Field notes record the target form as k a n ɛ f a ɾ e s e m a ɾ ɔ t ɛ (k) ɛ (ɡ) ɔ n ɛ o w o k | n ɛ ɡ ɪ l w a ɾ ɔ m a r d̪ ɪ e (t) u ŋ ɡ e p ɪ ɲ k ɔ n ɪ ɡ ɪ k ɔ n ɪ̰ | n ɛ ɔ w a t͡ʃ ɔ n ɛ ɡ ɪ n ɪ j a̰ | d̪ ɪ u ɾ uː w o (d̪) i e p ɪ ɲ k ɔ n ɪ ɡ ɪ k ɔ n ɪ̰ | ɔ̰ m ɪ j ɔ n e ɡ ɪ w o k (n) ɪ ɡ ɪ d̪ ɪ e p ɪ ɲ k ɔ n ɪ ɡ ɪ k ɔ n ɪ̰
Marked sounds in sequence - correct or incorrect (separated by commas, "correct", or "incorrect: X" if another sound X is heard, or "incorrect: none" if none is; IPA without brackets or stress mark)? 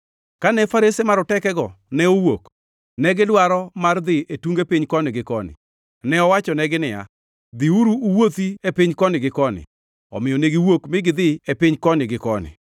correct, correct, correct, incorrect: t̪, incorrect: m